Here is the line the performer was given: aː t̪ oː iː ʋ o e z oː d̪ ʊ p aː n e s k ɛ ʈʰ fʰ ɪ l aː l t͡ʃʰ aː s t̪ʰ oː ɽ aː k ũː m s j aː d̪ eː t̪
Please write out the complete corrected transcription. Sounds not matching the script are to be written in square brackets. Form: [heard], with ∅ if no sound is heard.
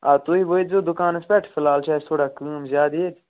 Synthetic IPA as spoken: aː t̪ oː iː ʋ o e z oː d̪ ʊ [k] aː n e s [p] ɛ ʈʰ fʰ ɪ l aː l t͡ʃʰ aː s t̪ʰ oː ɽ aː k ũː m [z] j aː d̪ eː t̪